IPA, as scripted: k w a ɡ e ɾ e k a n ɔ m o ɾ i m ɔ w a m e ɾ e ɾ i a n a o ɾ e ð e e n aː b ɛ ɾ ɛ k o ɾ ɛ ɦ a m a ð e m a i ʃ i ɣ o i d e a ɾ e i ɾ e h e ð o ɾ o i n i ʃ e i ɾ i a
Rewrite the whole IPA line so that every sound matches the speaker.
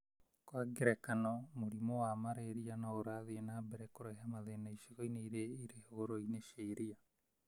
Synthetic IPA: k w a ɡ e ɾ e k a n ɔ m o ɾ i m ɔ w a m a ɾ e ɾ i a n a o ɾ a ð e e n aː b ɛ ɾ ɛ k o ɾ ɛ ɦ a m a ð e n a i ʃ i ɣ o i n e i ɾ e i ɾ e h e ɣ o ɾ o i n e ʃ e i ɾ i a